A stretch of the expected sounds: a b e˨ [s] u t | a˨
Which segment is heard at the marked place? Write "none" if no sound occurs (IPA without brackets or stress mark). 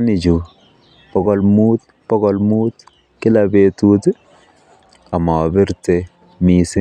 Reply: t